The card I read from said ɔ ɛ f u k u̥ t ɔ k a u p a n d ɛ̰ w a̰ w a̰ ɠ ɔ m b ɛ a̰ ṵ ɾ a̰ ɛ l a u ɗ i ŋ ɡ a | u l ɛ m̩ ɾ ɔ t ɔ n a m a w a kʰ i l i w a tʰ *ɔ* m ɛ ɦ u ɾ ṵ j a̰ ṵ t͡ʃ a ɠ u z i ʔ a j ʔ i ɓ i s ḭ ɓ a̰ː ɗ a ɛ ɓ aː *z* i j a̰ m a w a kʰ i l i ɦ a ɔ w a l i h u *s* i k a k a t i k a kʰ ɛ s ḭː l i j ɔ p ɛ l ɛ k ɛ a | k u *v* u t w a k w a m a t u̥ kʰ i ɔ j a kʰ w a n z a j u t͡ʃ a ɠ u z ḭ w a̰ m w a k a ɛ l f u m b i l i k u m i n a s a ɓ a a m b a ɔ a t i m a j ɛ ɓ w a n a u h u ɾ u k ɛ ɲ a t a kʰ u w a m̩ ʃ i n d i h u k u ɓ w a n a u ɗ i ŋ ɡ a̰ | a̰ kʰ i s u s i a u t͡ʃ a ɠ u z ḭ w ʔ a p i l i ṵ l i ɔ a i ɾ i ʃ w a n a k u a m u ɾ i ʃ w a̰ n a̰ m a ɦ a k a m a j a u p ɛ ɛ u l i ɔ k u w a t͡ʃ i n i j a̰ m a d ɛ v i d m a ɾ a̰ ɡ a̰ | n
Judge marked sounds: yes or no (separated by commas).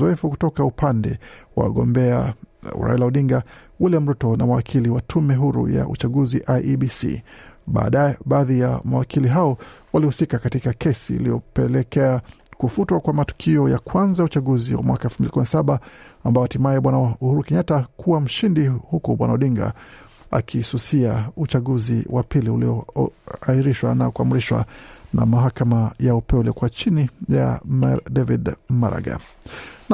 no, no, yes, no